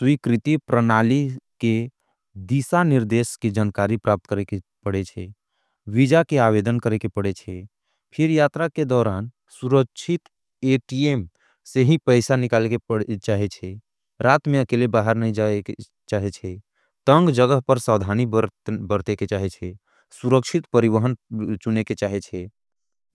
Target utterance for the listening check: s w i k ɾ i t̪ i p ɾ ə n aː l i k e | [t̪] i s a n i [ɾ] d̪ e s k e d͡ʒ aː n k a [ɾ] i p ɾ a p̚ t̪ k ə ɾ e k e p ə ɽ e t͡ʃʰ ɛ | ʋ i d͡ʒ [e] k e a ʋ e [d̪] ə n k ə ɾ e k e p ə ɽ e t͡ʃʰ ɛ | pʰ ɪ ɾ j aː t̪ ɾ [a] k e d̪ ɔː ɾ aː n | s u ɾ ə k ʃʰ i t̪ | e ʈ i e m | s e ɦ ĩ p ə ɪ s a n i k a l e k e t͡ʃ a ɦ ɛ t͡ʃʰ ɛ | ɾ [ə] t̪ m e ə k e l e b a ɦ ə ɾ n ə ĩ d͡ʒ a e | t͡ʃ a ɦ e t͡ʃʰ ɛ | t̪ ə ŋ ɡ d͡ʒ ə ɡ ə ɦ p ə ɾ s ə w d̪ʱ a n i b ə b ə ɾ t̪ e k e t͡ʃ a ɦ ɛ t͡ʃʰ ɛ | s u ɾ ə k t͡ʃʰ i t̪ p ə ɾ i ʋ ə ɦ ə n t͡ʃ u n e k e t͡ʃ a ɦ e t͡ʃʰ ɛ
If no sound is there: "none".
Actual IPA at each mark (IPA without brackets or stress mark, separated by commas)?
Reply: d̪, ɾ, ɾ, a, d̪, a, a